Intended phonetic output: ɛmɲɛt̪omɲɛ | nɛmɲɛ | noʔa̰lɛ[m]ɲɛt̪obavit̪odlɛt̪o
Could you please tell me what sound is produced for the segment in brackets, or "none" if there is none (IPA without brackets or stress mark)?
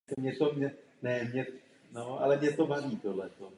m